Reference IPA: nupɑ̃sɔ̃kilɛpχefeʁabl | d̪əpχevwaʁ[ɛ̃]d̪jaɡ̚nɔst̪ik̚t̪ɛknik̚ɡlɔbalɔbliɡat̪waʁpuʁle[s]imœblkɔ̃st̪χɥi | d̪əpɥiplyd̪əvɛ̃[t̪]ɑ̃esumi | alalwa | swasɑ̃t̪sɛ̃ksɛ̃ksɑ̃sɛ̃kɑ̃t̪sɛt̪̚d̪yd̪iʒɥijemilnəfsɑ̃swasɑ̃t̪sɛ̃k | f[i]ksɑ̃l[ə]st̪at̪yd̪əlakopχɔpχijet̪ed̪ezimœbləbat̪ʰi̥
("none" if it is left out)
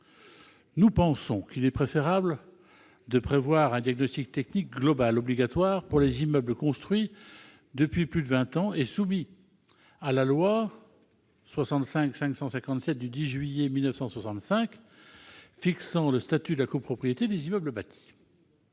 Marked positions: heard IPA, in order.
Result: ɛ̃, z, t̪, i, ə

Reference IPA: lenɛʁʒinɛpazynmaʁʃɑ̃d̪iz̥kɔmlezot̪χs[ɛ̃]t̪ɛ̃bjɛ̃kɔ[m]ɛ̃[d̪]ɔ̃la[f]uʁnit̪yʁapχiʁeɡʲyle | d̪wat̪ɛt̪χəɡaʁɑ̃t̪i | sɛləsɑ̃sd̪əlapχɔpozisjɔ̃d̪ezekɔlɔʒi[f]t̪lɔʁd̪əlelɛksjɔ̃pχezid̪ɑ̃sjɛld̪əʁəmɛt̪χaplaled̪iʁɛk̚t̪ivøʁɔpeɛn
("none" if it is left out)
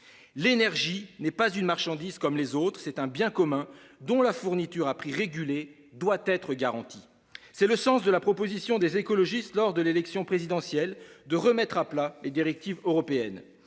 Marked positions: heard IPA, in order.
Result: ɛ, m, d̪, f, s

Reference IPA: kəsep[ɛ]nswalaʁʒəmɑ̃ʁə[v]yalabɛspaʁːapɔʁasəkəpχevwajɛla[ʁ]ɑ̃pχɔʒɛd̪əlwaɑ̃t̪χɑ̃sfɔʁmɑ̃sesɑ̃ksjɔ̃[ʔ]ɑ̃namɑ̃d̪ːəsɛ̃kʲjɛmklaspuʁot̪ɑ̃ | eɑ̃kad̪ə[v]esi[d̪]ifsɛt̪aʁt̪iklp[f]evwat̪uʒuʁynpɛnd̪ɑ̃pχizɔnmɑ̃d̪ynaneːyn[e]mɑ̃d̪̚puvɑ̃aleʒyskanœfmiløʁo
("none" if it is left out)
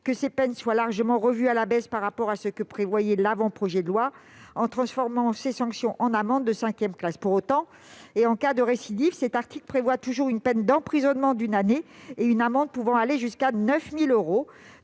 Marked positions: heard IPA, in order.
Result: ɛ, v, v, ʔ, ʁ, d̪, χ, a

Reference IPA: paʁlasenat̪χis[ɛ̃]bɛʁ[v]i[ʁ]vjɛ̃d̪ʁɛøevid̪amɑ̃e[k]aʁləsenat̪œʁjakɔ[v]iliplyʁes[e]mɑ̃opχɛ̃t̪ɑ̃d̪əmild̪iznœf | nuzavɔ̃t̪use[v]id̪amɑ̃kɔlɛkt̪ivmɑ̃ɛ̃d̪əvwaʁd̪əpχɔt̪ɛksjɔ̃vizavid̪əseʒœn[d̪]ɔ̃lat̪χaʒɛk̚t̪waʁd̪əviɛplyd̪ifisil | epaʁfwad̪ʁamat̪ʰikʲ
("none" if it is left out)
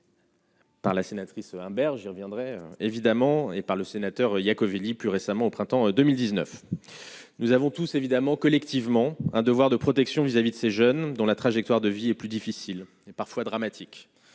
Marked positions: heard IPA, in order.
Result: ɛ̃, ʒ, ʁ, p, v, a, v, d̪

